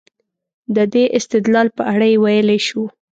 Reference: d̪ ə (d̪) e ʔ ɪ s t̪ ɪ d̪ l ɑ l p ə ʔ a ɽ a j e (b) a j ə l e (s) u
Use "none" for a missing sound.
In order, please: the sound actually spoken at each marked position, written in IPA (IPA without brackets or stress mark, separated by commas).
d̪, w, ʃ